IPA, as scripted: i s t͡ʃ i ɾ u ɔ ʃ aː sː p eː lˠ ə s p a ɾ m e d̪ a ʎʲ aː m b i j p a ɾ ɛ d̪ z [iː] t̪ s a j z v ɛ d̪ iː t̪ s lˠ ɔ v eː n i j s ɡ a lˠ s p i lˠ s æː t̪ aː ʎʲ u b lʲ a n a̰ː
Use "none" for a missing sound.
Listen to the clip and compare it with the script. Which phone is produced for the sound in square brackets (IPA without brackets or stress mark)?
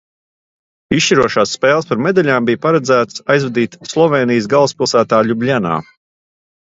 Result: æː